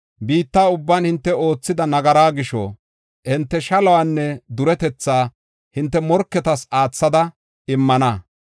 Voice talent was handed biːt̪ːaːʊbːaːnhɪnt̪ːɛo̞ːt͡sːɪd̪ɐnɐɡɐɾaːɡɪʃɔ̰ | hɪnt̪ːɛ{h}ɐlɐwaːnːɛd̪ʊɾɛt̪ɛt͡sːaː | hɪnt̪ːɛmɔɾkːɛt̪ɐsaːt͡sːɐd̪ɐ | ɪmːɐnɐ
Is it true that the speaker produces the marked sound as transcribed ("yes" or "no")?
no